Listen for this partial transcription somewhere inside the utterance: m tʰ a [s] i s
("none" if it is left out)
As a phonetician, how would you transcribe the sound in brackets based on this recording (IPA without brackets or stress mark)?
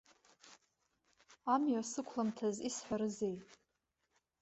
z